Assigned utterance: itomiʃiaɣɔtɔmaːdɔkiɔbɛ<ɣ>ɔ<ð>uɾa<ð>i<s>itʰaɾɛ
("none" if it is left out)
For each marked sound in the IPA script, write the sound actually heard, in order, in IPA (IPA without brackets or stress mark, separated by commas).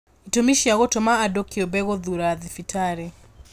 ɣ, ð, ð, f